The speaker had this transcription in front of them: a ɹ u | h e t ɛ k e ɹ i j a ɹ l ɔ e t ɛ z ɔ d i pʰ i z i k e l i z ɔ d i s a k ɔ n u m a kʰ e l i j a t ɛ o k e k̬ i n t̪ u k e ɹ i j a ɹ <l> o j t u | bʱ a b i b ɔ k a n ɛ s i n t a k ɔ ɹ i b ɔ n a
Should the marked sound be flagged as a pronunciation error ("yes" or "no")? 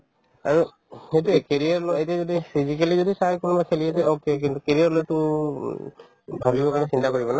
no